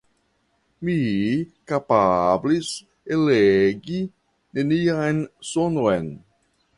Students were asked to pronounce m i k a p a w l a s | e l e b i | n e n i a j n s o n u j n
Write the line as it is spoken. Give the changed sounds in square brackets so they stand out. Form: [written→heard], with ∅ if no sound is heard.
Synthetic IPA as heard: m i k a p a [w→b] l [a→i] s | e l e [b→ɡ] i | n e n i a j n s o n [u→o] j n